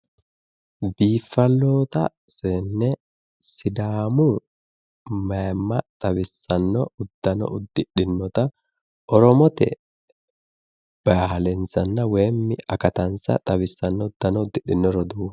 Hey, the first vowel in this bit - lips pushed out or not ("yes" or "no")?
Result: no